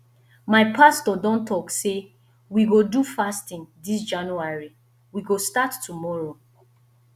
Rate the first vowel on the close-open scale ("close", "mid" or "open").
open